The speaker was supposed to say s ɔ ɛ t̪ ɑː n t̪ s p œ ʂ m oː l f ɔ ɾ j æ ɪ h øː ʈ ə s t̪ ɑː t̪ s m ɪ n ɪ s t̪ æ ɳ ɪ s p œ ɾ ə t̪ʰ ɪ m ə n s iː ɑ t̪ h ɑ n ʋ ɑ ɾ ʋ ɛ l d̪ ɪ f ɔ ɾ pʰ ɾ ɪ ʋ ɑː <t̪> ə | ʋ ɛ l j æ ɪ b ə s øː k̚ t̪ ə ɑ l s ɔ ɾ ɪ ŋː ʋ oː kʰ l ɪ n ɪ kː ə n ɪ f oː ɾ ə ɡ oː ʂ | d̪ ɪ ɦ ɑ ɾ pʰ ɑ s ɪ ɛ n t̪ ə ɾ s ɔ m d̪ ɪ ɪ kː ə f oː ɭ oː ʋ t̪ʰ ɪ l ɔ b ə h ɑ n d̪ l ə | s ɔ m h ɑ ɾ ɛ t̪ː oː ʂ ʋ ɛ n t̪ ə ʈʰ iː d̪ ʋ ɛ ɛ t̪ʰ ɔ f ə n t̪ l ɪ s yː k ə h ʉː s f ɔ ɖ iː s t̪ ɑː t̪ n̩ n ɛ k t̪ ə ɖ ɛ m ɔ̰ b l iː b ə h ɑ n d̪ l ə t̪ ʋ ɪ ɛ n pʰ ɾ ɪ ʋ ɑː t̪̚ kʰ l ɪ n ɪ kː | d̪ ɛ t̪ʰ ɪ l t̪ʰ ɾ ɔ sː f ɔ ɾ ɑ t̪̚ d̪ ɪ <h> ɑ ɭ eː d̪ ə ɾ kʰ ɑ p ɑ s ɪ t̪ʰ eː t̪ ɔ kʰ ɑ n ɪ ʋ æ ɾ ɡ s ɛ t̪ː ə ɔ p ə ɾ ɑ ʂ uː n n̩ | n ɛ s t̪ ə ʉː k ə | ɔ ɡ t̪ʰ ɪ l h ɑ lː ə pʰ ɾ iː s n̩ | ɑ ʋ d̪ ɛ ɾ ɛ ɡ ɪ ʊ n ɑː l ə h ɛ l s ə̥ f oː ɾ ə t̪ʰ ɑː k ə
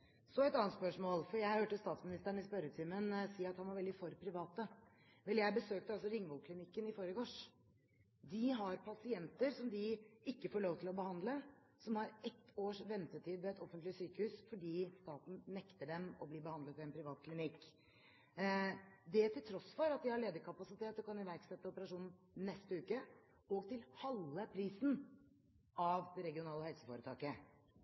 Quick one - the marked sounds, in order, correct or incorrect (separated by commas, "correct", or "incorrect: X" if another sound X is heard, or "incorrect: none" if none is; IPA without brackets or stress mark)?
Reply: correct, correct